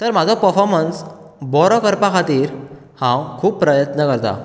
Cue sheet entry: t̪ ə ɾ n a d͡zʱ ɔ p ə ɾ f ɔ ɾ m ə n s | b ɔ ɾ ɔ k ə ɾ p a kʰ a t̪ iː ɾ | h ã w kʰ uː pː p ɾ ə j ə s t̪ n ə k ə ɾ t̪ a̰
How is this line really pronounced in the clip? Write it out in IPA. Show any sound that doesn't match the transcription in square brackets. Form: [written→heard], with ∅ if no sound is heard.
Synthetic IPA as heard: t̪ ə ɾ [n→m] a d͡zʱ ɔ p ə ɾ f ɔ ɾ m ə n s | b ɔ ɾ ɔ k ə ɾ p a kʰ a t̪ iː ɾ | h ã w kʰ uː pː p ɾ ə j ə [s→∅] t̪ n ə k ə ɾ t̪ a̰